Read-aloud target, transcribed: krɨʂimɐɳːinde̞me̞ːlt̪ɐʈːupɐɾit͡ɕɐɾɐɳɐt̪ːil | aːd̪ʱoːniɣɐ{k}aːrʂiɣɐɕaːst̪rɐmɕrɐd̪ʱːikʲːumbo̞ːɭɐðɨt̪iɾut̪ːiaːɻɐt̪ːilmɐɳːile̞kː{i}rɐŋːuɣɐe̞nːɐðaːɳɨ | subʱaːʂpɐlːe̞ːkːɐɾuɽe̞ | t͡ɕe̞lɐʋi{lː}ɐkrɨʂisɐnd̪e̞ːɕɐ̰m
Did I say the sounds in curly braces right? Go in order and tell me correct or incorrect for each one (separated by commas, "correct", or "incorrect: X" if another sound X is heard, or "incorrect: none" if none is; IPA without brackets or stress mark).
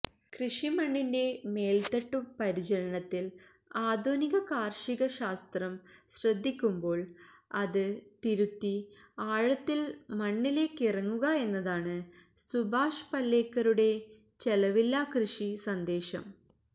correct, correct, correct